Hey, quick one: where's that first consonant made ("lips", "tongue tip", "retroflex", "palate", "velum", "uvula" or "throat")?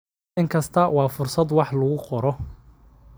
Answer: velum